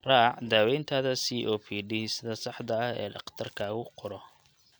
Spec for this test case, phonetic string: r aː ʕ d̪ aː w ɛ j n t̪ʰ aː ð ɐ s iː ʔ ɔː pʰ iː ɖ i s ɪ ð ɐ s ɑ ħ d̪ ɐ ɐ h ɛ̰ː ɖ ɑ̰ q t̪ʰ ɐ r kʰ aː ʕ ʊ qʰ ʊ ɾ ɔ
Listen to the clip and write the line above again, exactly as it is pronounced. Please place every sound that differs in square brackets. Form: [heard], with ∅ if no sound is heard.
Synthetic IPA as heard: r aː ʕ d̪ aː w ɛ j n t̪ʰ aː ð ɐ s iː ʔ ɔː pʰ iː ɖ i s ɪ ð ɐ s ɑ ħ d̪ ɐ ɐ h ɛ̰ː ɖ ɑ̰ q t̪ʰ ɐ r kʰ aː [ɣ] ʊ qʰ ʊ ɾ ɔ